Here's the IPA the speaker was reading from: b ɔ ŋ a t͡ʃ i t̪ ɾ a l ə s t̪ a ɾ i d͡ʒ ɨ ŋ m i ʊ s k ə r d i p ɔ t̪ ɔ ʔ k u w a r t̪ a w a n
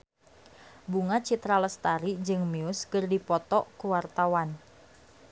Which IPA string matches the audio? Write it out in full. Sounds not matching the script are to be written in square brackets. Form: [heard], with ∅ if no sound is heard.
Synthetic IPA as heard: b [u] ŋ a t͡ʃ i t̪ ɾ a l ə s t̪ a ɾ i d͡ʒ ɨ ŋ m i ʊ s k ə r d i p ɔ t̪ ɔ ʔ k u w a r t̪ a w a n